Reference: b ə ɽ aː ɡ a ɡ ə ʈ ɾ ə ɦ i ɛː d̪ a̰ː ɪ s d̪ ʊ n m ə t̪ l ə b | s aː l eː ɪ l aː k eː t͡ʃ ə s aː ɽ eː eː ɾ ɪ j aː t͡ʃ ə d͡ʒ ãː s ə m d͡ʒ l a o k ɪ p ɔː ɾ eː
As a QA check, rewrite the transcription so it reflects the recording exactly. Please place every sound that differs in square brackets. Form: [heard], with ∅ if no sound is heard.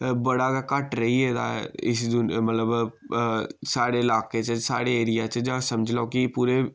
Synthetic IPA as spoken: b ə ɽ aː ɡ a [k] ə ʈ ɾ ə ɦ i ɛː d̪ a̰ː ɪ s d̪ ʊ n m ə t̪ l ə b | s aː [ɽ] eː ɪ l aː k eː t͡ʃ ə s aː ɽ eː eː ɾ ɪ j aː t͡ʃ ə d͡ʒ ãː s ə m d͡ʒ l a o k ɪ p [uː] ɾ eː